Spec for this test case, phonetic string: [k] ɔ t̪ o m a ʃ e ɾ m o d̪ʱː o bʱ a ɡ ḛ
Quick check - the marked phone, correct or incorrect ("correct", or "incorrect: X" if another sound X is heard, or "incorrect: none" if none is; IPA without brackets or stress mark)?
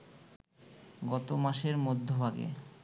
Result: incorrect: ɡ